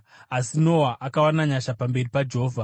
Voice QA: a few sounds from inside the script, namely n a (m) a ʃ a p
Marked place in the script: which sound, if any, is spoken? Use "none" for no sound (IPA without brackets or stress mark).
ɲ